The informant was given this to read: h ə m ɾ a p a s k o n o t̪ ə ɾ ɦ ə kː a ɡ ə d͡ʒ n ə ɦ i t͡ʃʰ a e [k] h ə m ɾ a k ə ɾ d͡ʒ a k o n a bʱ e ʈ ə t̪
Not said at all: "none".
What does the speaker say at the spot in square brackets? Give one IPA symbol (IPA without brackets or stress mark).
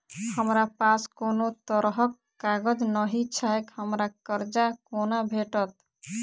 k